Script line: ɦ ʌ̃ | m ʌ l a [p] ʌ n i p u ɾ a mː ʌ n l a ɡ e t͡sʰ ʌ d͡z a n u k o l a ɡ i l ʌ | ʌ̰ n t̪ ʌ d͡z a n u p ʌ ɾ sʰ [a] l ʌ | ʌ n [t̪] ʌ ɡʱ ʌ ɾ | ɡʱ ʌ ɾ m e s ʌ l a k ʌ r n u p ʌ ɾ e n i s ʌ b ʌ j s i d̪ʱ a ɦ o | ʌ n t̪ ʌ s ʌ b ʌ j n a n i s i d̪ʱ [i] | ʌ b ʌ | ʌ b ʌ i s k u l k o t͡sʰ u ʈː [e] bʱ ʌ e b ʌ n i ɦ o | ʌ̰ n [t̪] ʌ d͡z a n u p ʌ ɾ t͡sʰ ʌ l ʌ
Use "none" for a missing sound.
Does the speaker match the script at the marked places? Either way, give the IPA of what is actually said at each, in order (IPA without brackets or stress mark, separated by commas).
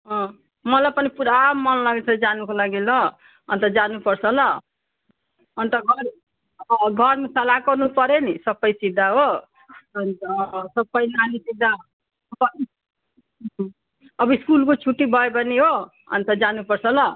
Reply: p, ʌ, t̪, a, i, t̪